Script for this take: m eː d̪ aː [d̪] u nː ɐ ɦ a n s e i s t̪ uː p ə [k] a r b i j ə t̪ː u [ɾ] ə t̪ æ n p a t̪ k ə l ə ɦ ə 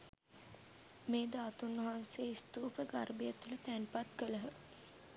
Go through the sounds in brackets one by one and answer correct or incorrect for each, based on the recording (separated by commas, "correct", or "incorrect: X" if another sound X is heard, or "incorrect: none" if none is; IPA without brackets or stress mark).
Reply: incorrect: t̪, incorrect: ɡ, incorrect: l